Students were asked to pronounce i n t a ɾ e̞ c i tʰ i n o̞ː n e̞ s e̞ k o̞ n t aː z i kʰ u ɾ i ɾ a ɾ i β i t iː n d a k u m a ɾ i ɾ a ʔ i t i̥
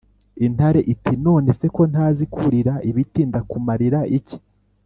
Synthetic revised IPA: i n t a ɾ e̞ ʔ i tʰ i n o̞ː n e̞ s e̞ k o̞ n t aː z i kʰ u ɾ i ɾ a i β i t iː n d a k u m a ɾ i ɾ a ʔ i c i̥